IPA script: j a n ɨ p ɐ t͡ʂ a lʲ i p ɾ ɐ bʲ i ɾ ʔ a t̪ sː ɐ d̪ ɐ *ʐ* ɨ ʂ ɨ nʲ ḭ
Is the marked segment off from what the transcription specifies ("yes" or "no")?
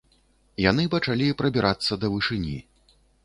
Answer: yes